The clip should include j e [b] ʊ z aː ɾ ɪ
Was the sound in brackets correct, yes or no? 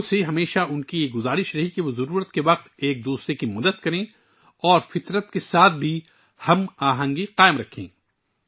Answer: no